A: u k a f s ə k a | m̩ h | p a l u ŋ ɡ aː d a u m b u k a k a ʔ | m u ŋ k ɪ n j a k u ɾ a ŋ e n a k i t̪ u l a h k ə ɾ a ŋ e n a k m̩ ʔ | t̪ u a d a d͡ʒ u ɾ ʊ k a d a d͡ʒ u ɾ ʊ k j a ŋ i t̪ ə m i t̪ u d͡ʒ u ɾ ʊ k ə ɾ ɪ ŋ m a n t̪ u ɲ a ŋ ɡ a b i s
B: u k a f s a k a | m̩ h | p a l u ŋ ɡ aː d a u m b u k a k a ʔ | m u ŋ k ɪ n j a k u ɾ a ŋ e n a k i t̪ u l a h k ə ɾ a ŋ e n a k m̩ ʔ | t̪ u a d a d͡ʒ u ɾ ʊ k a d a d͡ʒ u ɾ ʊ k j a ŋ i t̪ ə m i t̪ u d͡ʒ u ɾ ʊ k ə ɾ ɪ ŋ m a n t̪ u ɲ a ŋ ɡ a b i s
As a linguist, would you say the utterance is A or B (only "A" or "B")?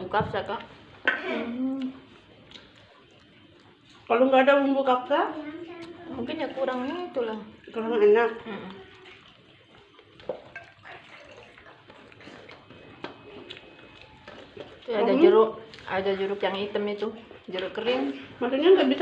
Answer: B